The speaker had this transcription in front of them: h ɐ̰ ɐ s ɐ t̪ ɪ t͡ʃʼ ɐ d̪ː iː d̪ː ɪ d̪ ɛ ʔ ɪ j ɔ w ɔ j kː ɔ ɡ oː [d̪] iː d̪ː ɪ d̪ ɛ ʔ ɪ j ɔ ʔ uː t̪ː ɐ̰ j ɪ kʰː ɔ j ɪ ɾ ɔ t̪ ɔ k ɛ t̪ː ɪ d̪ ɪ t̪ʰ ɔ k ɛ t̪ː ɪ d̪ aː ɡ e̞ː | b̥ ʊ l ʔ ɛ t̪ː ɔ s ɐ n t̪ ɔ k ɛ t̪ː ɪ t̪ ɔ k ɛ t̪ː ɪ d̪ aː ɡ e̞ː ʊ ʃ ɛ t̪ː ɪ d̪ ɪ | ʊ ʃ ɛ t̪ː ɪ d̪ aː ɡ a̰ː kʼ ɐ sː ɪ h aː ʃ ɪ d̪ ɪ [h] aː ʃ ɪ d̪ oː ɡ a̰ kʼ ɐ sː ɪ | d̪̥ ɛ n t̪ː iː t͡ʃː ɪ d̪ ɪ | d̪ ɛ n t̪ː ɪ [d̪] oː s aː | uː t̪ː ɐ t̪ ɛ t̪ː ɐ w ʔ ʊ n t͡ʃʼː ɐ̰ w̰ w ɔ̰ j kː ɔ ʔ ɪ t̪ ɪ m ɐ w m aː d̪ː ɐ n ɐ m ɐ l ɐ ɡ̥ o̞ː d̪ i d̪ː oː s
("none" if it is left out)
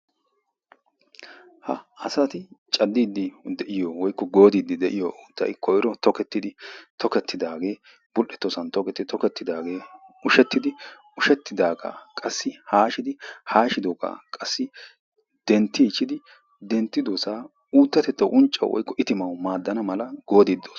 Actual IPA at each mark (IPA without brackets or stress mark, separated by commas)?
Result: d̪, h, d̪